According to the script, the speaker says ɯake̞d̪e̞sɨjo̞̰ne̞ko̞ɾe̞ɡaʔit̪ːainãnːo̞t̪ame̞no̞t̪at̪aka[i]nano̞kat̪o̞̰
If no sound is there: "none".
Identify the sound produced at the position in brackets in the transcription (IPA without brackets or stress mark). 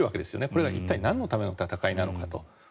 i